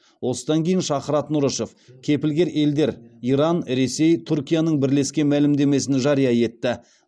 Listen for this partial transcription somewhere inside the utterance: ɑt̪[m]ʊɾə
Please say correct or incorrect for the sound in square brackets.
incorrect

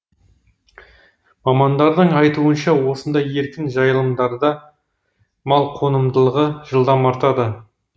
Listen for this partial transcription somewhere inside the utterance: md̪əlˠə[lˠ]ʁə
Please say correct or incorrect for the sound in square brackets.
incorrect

